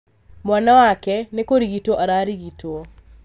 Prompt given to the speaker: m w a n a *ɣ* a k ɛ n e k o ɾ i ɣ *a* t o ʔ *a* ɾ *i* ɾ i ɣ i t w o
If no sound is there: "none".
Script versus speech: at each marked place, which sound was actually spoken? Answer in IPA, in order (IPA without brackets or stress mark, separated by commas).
w, i, a, a